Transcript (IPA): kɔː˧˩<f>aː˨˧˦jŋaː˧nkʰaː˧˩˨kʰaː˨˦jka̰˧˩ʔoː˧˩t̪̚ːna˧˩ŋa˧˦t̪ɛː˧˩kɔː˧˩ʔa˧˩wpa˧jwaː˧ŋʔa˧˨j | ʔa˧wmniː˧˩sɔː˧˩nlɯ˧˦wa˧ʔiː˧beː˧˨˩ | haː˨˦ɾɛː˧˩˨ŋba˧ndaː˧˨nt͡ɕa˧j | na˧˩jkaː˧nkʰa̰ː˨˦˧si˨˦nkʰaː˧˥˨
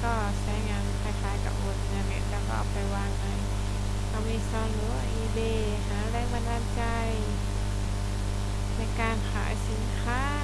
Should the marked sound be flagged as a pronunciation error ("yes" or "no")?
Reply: yes